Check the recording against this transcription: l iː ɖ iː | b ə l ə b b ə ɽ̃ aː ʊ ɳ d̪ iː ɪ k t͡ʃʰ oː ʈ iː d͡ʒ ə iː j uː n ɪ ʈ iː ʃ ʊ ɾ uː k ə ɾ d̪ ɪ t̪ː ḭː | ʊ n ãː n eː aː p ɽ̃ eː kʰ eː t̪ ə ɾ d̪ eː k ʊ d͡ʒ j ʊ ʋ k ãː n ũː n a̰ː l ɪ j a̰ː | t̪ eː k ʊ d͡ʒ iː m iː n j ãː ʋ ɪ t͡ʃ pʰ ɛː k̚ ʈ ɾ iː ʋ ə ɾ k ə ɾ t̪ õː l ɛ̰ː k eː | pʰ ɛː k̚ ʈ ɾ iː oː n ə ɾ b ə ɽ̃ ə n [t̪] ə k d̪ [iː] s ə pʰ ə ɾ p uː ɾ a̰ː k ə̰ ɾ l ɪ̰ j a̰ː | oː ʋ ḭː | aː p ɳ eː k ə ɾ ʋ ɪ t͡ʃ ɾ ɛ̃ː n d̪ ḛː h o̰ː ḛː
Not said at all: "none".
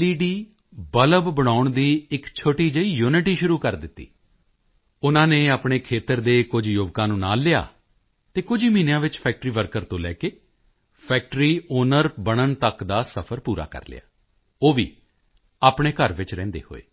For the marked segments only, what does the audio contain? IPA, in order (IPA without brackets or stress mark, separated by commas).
t̪, aː